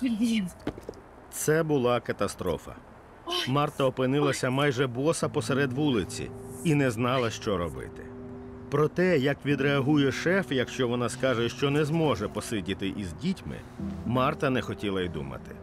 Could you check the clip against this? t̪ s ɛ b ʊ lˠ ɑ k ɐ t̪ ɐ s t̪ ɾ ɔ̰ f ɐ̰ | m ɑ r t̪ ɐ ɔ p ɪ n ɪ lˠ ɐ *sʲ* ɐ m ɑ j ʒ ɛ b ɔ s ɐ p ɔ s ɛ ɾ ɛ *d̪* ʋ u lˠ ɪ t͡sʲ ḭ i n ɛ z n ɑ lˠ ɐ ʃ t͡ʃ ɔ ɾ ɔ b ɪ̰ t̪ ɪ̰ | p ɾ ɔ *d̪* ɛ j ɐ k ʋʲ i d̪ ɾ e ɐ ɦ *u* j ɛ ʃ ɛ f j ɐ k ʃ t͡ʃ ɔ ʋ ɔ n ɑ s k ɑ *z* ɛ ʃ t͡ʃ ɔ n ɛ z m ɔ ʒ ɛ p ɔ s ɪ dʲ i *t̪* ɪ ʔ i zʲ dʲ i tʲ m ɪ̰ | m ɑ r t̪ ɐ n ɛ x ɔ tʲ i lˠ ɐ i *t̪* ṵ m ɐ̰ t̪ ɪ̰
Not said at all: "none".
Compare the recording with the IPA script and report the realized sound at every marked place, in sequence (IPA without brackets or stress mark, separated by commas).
sʲ, d̪, t̪, u, ʒ, t̪, d̪